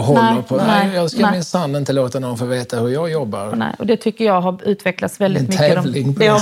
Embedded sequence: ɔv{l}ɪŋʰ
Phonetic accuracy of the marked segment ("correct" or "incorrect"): correct